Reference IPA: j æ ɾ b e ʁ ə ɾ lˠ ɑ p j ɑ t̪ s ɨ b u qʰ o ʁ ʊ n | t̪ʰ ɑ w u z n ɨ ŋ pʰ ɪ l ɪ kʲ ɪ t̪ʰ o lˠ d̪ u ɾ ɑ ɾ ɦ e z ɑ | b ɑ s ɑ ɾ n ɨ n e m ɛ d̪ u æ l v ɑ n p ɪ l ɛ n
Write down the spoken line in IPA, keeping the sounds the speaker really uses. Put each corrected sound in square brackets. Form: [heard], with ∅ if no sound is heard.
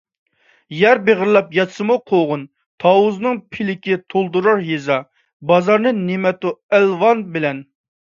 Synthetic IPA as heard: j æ ɾ b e ʁ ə ɾ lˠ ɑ p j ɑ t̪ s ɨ [m] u qʰ o ʁ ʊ n | t̪ʰ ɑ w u z n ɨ ŋ pʰ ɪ l ɪ kʲ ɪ t̪ʰ o lˠ d̪ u ɾ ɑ ɾ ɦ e z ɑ | b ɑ [z] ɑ ɾ n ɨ n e m ɛ [t̪] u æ l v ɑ n [b] ɪ l ɛ n